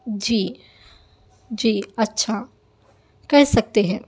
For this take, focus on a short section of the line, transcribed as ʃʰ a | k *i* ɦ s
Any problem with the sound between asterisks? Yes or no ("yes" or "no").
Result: yes